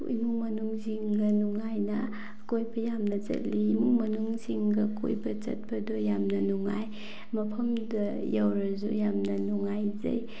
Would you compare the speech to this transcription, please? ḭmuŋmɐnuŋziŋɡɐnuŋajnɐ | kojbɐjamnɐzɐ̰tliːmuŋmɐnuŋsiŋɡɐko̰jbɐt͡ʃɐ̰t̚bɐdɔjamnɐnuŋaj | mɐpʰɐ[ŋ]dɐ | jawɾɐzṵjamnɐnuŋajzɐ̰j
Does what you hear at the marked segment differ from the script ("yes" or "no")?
yes